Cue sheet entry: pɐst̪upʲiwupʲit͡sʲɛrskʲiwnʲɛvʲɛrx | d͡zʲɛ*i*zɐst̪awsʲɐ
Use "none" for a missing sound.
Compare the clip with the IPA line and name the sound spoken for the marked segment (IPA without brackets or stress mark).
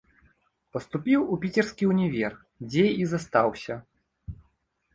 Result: i